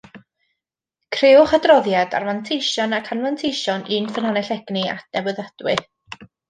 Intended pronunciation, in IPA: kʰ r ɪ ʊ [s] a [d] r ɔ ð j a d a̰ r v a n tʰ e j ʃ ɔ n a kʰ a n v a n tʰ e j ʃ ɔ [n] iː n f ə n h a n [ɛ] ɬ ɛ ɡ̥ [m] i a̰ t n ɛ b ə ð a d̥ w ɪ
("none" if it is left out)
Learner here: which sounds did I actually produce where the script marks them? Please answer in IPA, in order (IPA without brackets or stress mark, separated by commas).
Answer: χ, d, n, ɛ, n